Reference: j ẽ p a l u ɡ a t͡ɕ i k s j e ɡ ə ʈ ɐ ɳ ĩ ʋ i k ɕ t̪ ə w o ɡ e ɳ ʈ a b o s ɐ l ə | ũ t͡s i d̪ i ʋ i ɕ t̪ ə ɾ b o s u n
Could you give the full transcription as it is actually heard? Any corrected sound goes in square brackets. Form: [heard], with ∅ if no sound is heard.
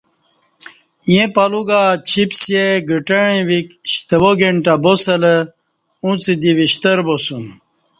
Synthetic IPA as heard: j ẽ p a l u ɡ a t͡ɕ i [p] s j e ɡ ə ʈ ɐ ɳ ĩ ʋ i k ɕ t̪ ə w o ɡ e ɳ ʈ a b o s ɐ l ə | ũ t͡s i d̪ i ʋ i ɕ t̪ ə ɾ b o s u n

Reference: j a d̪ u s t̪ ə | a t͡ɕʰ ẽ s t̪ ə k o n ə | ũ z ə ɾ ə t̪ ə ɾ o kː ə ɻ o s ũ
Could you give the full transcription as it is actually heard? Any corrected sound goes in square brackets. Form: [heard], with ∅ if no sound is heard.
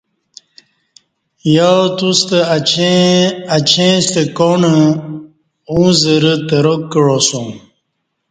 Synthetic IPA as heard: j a [t̪] u s t̪ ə | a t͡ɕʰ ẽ s t̪ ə k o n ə | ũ z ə ɾ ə t̪ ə ɾ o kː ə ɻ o s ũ

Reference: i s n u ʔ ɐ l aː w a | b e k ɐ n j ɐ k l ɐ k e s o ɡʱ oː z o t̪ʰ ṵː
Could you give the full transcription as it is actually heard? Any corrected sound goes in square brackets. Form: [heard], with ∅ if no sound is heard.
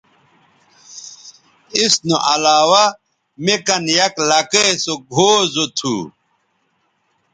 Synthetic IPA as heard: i s n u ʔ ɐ l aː w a | [m] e k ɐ n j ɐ k l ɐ k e s o ɡʱ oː z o t̪ʰ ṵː

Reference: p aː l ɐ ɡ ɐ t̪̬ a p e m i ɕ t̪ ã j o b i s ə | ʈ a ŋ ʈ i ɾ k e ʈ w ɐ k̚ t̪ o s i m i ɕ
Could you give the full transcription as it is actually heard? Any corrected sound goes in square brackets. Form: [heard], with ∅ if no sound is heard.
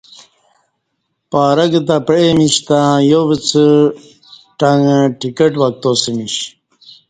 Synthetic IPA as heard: p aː [ɾ] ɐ ɡ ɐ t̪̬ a p e m i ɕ t̪ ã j o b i [t͡s] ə | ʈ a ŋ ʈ i [∅] k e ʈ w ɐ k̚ t̪ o s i m i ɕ

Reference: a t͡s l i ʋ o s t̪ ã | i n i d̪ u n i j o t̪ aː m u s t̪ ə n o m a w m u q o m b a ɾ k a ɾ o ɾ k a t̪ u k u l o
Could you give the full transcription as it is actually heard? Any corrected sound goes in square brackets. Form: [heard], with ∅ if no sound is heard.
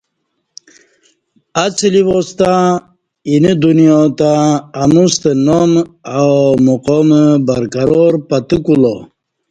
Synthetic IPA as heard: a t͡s l i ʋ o s t̪ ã | i n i d̪ u n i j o t̪ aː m u s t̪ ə n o m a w m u q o m b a ɾ k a ɾ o ɾ [p] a t̪ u k u l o

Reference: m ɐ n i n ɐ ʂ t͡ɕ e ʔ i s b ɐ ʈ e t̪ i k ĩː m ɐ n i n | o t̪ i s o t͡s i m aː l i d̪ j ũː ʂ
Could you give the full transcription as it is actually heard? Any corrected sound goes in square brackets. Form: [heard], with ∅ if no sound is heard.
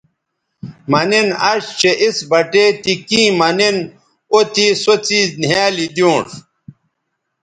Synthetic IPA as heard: m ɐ n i n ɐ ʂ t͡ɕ e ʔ i s b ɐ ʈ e t̪ i k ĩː m ɐ n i n | o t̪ i s o t͡s i [n] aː l i d̪ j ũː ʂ

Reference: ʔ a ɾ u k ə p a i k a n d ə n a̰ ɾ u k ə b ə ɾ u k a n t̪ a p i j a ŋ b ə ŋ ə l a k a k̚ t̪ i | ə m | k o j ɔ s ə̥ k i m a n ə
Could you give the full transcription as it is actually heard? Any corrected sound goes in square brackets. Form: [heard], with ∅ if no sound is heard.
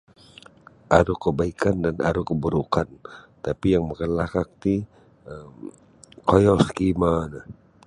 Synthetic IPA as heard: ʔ a ɾ u k ə [b] a i k a n d [a] n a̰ ɾ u k ə b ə ɾ u k a n t̪ a p i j a ŋ [m] ə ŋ ə l a k a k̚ t̪ i | ə m | k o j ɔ s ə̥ k i m a n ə

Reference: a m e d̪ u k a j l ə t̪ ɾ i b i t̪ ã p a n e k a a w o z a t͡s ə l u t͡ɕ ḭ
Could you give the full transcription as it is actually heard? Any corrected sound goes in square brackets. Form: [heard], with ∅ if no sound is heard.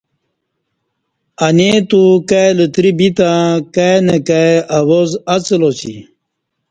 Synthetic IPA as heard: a [n] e [t̪] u k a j l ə t̪ ɾ i b i t̪ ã [k] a n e k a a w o z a t͡s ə l [o] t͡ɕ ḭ

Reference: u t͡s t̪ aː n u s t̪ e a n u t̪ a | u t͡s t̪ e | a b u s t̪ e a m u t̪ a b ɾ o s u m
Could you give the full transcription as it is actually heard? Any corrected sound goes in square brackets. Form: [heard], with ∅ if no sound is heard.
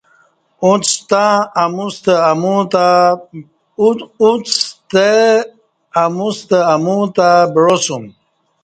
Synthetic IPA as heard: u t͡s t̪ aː [m] u s t̪ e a [m] u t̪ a | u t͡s t̪ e | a [m] u s t̪ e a m u t̪ a b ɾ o s u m

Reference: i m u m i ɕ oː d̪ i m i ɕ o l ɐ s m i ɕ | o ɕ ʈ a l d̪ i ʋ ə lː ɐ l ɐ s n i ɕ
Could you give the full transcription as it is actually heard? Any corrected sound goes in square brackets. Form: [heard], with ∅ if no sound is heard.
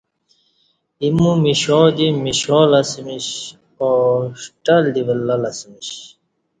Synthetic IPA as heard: i m u m i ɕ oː d̪ i m i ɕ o l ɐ s m i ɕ | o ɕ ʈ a l d̪ i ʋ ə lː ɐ l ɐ s [m] i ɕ

